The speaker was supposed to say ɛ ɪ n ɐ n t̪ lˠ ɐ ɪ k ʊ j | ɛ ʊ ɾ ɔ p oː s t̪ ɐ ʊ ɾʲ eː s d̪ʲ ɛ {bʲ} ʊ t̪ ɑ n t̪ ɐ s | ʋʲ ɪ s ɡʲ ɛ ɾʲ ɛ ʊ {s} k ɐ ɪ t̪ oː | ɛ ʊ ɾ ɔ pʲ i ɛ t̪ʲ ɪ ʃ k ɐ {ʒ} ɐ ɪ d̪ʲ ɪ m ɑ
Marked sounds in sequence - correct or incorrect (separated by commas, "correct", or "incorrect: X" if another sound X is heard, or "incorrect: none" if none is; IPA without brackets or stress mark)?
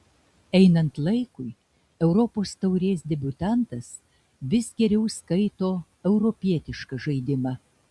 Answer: correct, correct, correct